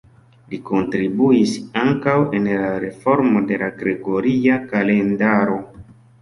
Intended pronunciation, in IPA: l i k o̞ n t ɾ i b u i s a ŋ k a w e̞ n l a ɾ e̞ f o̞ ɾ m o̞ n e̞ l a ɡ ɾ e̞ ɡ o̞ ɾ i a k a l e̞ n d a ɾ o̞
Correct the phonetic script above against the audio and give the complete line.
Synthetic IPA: l i k o̞ n t ɾ i b u i s a ŋ k a w e̞ n l a ɾ e̞ f o̞ ɾ m o̞ d e̞ l a ɡ ɾ e̞ ɡ o̞ ɾ i a k a l e̞ n d a ɾ o̞